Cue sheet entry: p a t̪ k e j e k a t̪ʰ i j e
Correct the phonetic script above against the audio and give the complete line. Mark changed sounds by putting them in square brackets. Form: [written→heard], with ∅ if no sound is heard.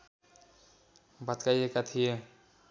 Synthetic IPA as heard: [p→b] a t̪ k [e→a] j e k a t̪ʰ i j e